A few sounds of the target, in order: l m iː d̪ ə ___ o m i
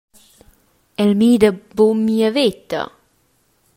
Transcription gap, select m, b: b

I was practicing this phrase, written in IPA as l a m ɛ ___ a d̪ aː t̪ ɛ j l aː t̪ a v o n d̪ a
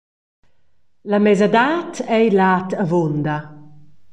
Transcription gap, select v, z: z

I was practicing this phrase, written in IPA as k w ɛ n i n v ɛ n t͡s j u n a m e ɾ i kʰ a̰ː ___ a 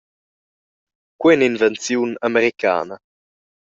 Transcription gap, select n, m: n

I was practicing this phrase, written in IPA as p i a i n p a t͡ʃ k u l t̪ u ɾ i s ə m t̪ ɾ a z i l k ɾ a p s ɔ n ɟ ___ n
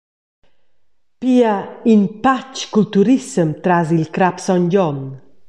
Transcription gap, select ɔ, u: ɔ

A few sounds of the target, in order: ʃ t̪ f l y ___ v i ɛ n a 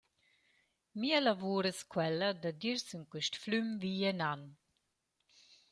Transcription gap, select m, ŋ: m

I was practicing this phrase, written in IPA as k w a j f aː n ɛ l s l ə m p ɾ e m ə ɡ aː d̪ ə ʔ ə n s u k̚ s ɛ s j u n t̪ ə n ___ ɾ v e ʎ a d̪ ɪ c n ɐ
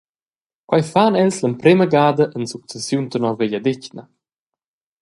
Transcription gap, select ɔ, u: ɔ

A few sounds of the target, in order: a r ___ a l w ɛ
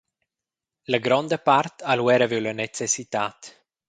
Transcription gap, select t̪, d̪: t̪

